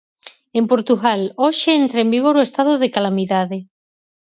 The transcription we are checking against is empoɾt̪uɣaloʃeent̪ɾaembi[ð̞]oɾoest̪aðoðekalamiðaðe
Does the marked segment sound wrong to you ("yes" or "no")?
yes